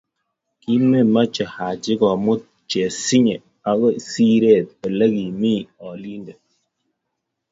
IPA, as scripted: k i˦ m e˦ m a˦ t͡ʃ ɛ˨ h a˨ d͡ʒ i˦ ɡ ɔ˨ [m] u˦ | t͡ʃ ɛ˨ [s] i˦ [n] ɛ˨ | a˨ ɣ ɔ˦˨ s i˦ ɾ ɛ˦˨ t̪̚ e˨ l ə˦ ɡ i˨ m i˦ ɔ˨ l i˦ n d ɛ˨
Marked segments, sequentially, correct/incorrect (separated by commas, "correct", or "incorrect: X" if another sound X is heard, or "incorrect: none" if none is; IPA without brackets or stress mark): correct, correct, incorrect: ɲ